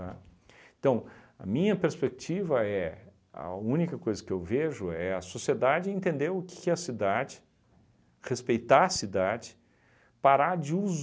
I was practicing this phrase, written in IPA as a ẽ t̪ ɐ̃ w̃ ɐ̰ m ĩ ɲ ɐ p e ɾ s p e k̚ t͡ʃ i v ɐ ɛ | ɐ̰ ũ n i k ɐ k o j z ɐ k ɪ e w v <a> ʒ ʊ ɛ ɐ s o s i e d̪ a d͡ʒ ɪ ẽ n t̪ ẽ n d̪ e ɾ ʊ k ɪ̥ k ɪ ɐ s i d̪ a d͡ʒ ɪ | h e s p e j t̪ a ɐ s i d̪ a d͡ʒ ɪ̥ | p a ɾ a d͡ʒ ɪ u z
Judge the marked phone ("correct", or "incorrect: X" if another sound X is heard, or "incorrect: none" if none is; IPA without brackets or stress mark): incorrect: e